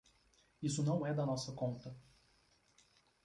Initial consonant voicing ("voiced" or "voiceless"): voiceless